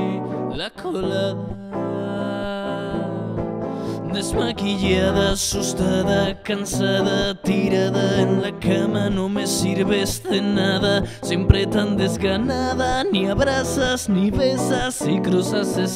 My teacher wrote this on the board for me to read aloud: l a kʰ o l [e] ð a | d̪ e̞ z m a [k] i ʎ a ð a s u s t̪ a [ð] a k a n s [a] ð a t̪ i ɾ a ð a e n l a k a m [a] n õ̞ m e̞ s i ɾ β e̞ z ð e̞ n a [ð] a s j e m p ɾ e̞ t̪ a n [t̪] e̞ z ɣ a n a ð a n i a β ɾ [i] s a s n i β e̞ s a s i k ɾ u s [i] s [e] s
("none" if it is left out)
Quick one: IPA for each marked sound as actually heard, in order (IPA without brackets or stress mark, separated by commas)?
a, k, ð, a, a, ð, d̪, a, a, e